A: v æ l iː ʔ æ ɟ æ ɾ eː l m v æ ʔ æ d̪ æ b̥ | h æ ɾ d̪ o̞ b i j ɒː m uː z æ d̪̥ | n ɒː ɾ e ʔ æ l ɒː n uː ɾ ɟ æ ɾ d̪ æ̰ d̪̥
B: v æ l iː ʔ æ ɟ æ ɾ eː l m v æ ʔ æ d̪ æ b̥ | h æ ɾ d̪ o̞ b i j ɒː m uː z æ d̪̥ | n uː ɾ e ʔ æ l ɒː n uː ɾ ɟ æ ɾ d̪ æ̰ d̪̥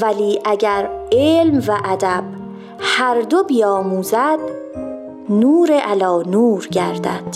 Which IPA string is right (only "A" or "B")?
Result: B